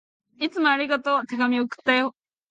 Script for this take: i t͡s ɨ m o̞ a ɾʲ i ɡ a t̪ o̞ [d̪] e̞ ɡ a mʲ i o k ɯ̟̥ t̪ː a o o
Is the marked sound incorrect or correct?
incorrect